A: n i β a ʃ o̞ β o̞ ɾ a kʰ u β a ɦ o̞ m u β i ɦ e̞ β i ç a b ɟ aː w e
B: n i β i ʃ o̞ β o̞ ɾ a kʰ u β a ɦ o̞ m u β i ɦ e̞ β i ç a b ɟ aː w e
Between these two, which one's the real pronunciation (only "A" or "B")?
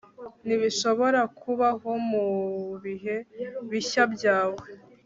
B